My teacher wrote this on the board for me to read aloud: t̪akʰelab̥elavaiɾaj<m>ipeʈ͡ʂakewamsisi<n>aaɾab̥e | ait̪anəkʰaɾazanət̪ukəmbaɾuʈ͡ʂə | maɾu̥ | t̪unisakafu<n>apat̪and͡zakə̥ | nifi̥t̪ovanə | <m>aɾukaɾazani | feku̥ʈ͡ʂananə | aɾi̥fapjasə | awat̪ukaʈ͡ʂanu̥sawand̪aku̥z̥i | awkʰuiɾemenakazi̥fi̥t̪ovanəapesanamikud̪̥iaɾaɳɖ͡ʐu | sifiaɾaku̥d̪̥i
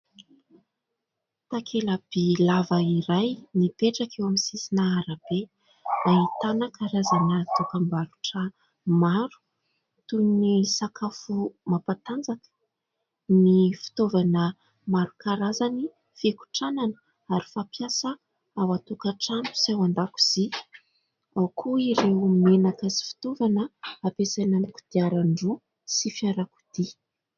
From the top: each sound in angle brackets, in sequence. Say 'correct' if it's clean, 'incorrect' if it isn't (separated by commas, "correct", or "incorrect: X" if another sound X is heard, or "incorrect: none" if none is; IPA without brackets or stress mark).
incorrect: n, correct, incorrect: m, correct